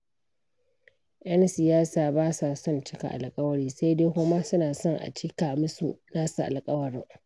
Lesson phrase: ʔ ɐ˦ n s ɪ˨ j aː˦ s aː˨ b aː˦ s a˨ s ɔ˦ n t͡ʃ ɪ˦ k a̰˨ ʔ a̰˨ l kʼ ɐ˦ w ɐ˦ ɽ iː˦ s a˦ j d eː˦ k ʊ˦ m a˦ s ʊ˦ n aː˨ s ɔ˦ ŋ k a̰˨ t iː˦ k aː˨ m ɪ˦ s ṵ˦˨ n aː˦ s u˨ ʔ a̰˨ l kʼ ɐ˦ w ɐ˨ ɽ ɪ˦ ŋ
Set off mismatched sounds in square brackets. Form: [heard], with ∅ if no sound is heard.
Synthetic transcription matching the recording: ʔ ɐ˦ n s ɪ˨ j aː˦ s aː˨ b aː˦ s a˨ s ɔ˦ n t͡ʃ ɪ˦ k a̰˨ ʔ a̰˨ l kʼ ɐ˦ w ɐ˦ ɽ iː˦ s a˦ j d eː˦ k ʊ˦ m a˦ s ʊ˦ n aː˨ s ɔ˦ ŋ [ʔ] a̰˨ [t͡ʃ] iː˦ k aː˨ m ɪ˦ s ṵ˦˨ n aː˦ s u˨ ʔ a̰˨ l kʼ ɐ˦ w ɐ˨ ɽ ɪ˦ ŋ